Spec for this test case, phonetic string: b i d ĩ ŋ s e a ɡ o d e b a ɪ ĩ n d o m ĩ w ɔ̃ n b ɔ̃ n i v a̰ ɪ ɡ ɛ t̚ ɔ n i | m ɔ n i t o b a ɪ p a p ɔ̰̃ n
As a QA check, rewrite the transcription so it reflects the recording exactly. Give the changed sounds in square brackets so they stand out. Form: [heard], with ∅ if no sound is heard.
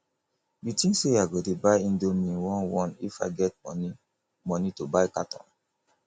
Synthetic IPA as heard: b i [t] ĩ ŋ s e a ɡ o d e b a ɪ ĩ n d o m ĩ w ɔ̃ n [w] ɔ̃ n i [f] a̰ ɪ ɡ ɛ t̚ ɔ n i | m ɔ n i t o b a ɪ [k] a [t] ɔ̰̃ n